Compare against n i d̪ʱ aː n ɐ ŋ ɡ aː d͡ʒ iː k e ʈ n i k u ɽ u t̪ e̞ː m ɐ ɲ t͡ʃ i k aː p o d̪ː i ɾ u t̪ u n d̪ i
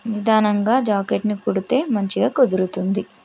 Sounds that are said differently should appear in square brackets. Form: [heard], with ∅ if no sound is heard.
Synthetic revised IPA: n i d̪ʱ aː n ɐ ŋ ɡ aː d͡ʒ [aː] k e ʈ n i k u ɽ u t̪ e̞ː m ɐ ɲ t͡ʃ i [ɡ] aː [k] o [d̪] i ɾ u t̪ u n d̪ i